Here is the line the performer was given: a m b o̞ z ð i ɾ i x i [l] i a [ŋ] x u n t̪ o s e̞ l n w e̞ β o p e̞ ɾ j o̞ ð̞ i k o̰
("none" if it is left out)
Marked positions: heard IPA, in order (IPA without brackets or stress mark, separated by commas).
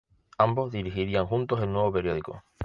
ɾ, ŋ